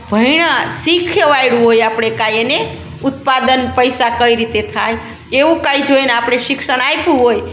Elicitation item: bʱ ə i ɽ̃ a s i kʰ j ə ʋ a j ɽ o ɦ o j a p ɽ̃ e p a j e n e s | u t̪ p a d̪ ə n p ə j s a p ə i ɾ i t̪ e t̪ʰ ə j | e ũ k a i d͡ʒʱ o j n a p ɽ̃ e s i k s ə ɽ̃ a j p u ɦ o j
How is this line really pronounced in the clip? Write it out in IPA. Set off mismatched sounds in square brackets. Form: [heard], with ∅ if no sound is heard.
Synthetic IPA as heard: bʱ ə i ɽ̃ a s i kʰ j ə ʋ a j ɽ [u] ɦ o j a p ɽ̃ e [k] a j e n e [∅] | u t̪ p a d̪ ə n p ə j s a [k] ə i ɾ i t̪ e t̪ʰ [a] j | e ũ k a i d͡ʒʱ o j n a p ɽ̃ e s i k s ə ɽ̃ a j p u ɦ o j

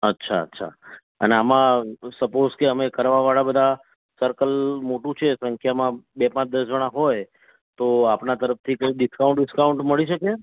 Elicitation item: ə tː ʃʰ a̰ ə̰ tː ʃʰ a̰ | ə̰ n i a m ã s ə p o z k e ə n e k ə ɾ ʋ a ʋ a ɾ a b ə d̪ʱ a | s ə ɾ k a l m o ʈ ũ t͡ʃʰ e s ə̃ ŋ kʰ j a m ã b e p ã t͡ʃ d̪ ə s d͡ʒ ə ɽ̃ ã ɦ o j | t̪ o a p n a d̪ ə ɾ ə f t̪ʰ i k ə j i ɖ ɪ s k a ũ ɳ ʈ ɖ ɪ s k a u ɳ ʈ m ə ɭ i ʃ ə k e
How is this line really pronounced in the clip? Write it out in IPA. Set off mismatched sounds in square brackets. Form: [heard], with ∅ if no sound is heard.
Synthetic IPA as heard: ə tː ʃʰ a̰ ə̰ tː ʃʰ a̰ | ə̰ n [e] a m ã s ə p o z k e ə [m] e k ə ɾ ʋ a ʋ a [ɭ] a b ə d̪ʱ a | s ə ɾ k [ə] l m o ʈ ũ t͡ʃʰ e s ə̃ ŋ kʰ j a m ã b e p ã t͡ʃ d̪ ə s d͡ʒ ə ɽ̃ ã ɦ o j | t̪ o a p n a [t̪] ə ɾ ə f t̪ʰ i k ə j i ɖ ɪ s k a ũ ɳ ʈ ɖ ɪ s k a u ɳ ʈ m ə ɭ i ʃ ə k e

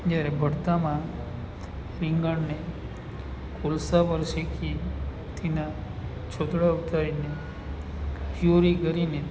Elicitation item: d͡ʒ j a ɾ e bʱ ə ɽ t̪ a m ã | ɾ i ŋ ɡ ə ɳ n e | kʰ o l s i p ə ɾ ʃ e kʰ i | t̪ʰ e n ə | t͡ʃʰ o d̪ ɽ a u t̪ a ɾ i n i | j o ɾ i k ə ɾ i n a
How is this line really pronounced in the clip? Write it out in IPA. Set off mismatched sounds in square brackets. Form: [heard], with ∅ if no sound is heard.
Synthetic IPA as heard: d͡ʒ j a ɾ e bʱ ə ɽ t̪ a m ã | ɾ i ŋ ɡ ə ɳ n e | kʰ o l s [a] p ə ɾ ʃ e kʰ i | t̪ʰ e n [a] | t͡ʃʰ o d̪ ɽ a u t̪ a ɾ i n [e] | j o ɾ i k ə ɾ i n [e]

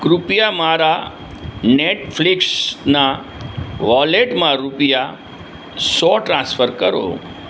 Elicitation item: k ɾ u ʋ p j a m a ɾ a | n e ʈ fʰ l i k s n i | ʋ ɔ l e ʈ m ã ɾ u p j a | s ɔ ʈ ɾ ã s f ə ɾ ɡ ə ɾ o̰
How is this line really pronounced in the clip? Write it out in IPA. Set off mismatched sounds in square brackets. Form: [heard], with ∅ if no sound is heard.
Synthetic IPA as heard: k ɾ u [∅] p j a m a ɾ a | n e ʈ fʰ l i k s n [a] | ʋ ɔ l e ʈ m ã ɾ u p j a | s ɔ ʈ ɾ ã s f ə ɾ [k] ə ɾ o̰

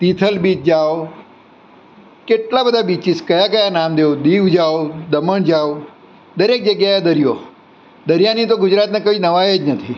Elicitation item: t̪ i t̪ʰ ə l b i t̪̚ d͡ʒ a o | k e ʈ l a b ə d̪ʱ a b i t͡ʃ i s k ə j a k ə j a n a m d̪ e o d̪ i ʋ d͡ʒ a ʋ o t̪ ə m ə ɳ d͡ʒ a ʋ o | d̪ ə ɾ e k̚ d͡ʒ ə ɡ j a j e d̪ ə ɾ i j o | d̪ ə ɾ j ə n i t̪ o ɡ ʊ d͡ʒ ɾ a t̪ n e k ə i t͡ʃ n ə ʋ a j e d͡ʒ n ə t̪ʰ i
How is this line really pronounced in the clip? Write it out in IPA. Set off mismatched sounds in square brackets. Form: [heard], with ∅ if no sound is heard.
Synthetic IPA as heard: t̪ i t̪ʰ ə l b i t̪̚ d͡ʒ a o | k e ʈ l a b ə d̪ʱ a b i t͡ʃ i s k ə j a k ə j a n a m d̪ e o d̪ i ʋ d͡ʒ a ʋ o [d̪] ə m ə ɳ d͡ʒ a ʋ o | d̪ ə ɾ e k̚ d͡ʒ ə ɡ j a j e d̪ ə ɾ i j o | d̪ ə ɾ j [a] n i t̪ o ɡ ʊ d͡ʒ ɾ a t̪ n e k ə i [∅] n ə ʋ a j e d͡ʒ n ə t̪ʰ i

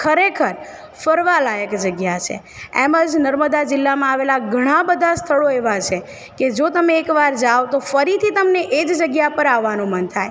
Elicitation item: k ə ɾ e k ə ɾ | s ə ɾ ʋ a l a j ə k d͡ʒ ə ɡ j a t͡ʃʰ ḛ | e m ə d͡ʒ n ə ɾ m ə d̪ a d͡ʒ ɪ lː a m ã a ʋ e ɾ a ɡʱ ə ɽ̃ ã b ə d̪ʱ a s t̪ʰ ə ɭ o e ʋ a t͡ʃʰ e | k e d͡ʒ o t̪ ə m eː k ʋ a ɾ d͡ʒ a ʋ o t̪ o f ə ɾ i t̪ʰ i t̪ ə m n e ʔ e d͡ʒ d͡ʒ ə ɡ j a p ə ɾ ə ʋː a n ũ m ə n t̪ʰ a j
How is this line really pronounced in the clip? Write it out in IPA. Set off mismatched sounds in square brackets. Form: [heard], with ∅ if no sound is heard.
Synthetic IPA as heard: [kʰ] ə ɾ e [kʰ] ə ɾ | [f] ə ɾ ʋ a l a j ə k d͡ʒ ə ɡ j a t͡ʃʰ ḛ | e m ə d͡ʒ n ə ɾ m ə d̪ a d͡ʒ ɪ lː a m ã a ʋ e [l] a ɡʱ ə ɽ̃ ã b ə d̪ʱ a s t̪ʰ ə ɭ o e ʋ a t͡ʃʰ e | k e d͡ʒ o t̪ ə m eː k ʋ a ɾ d͡ʒ a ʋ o t̪ o f ə ɾ i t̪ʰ i t̪ ə m n e ʔ e d͡ʒ d͡ʒ ə ɡ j a p ə ɾ [a] ʋː a n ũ m ə n t̪ʰ a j

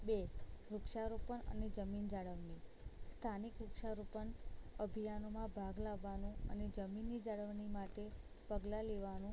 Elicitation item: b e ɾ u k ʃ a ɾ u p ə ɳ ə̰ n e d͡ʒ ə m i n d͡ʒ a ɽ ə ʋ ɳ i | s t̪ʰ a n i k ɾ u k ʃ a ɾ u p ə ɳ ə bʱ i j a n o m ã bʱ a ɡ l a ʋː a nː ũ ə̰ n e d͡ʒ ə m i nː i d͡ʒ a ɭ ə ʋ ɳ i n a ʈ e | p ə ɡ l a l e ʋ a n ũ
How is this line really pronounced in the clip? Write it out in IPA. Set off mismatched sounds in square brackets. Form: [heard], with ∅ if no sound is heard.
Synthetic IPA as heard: b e ɾ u k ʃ a ɾ u p ə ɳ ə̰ n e d͡ʒ ə m i n d͡ʒ a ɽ ə ʋ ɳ i | s t̪ʰ a n i k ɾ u k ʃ a ɾ u p ə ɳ ə bʱ i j a n o m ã bʱ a ɡ l a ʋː a [n] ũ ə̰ n e d͡ʒ ə m i nː i d͡ʒ a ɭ ə ʋ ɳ i [m] a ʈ e | p ə ɡ l a l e ʋ a n ũ

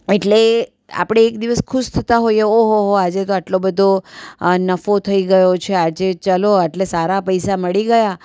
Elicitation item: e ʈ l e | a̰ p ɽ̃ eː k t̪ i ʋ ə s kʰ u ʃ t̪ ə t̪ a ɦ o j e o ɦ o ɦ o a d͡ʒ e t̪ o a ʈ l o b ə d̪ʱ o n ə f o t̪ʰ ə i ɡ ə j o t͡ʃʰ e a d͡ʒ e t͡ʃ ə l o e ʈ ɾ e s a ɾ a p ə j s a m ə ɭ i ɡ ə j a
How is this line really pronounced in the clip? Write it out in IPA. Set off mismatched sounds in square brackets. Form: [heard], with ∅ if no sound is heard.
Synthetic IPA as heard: e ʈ l e | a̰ p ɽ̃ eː k [d̪] i ʋ ə s kʰ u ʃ [t̪ʰ] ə t̪ a ɦ o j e o ɦ o ɦ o a d͡ʒ e t̪ o a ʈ l o b ə d̪ʱ o n ə f o t̪ʰ ə i ɡ ə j o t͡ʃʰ e a d͡ʒ e t͡ʃ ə l o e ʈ [l] e s a ɾ a p ə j s a m ə ɭ i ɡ ə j a

